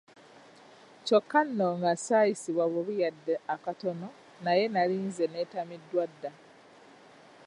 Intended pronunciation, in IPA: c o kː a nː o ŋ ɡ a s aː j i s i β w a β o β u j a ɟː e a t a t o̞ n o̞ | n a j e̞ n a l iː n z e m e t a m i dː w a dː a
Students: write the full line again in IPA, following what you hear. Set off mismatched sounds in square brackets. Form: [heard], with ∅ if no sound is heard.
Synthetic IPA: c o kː a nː o ŋ ɡ a s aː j i s i β w a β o β u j a [dː] e a [k] a t o̞ n o̞ | n a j e̞ n a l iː n z e [n] e t a m i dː w a dː a